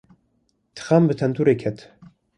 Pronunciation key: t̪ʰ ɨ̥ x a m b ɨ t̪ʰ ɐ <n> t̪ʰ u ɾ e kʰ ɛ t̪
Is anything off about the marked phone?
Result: no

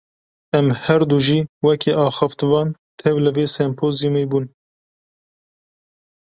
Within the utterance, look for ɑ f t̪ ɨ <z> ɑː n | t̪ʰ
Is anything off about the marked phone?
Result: yes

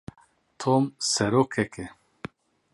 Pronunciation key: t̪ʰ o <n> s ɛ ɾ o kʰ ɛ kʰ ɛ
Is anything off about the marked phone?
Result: yes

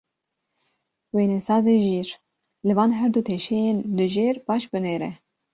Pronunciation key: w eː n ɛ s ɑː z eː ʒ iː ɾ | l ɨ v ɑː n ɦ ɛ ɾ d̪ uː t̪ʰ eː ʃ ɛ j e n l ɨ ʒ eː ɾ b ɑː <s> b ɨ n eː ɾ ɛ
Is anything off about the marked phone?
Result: yes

